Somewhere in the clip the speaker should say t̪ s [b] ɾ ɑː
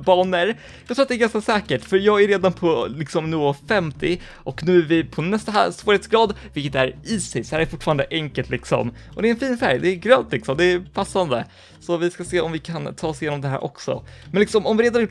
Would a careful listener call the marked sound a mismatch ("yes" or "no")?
yes